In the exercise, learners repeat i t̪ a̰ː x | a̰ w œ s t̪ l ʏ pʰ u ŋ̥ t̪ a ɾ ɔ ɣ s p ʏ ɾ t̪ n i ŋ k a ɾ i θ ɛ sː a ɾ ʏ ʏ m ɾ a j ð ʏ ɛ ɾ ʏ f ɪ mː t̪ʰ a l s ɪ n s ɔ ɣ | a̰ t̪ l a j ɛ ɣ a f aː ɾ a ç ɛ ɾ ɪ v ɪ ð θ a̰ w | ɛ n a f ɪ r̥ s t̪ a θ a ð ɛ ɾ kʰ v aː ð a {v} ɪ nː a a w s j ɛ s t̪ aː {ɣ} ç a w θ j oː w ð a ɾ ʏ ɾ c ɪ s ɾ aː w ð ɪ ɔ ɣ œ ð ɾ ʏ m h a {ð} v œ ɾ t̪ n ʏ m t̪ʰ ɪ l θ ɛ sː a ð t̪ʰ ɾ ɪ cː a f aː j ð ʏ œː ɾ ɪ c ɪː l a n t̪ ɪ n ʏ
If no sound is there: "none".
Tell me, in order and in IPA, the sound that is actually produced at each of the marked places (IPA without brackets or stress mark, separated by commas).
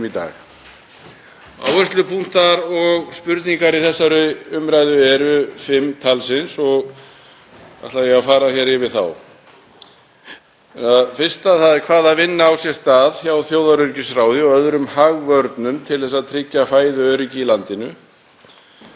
v, ð, ɣ